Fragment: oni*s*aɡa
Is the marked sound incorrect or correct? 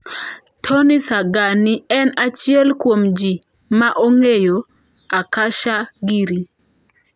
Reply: correct